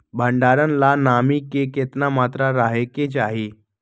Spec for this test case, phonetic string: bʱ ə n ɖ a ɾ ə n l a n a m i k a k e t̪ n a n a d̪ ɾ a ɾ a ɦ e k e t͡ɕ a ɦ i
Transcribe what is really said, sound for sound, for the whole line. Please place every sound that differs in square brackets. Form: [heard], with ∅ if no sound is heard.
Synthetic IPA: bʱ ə [ɳ] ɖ a ɾ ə n l a n a m i k [e] k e t̪ n a [m] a [t̪] ɾ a ɾ a ɦ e k e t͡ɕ a ɦ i